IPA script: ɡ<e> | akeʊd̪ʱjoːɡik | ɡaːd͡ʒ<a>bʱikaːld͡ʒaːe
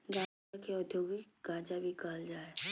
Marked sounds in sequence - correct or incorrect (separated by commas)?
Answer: incorrect, correct